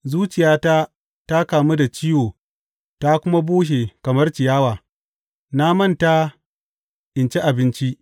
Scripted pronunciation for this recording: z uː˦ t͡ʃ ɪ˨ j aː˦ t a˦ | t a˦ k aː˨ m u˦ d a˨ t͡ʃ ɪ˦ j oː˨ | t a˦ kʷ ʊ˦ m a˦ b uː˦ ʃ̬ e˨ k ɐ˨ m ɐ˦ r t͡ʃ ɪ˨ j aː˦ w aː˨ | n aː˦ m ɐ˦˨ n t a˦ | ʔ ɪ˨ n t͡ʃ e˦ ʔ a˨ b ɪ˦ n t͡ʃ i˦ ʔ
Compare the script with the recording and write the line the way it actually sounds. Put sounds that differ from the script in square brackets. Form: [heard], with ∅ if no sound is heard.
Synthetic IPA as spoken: z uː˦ t͡ʃ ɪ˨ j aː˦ t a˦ | t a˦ k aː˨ m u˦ d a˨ t͡ʃ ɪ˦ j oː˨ | t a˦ kʷ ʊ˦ m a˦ b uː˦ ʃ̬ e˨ k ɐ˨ m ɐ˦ r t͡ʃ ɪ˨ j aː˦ w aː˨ | n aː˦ m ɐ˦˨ n t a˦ | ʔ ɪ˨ n t͡ʃ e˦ ʔ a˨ b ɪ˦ n t͡ʃ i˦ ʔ